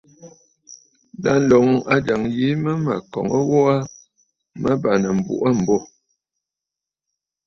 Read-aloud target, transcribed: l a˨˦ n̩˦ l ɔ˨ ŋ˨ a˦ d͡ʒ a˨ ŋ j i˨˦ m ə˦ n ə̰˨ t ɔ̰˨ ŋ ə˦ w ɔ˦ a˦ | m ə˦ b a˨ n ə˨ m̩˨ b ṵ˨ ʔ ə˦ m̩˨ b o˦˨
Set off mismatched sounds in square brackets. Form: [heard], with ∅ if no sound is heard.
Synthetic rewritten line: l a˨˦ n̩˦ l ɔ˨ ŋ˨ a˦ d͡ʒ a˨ ŋ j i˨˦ m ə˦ [m] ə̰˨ [k] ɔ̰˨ ŋ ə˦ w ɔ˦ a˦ | m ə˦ b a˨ n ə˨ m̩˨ b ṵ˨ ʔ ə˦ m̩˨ b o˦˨